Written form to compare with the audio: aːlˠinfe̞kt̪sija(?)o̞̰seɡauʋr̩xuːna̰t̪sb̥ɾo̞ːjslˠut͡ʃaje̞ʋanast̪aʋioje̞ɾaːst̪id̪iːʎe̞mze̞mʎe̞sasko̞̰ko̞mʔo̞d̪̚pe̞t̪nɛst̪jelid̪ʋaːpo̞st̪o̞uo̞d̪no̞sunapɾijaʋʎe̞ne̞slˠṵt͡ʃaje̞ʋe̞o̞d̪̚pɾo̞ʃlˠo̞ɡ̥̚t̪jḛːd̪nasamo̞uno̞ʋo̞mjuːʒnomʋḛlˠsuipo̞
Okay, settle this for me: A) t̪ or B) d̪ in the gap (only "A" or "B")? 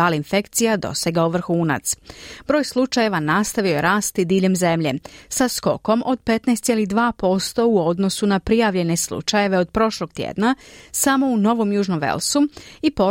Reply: B